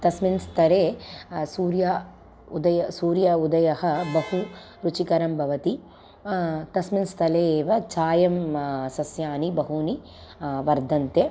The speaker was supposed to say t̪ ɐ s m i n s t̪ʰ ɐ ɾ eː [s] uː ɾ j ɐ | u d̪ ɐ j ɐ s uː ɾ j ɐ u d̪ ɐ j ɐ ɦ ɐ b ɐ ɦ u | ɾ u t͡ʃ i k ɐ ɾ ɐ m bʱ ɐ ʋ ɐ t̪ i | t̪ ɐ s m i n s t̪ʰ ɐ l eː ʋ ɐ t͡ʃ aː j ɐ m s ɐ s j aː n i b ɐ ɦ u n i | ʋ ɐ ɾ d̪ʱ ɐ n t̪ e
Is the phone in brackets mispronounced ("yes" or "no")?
no